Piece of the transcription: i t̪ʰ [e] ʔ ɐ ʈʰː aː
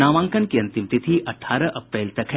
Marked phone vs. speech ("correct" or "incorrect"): incorrect